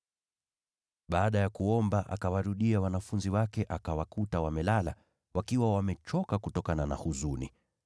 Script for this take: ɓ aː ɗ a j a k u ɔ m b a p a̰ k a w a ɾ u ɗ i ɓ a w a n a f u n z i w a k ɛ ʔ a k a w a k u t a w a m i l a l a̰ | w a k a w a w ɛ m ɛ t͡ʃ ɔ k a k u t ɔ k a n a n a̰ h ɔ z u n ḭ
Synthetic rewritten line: ɓ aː ɗ a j a k u ɔ m b a ʔ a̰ k a w a ɾ u ɗ i a w a n a f u n z i w a k ɛ ʔ a k a w a k u t a w a m ɛ l a l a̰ | w a k i w a w a m ɛ t͡ʃ ɔ k a k u t ɔ k a n a n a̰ h u z u n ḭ